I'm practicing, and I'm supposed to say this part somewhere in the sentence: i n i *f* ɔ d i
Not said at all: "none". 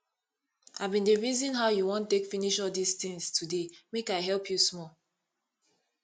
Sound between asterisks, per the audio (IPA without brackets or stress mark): ʃ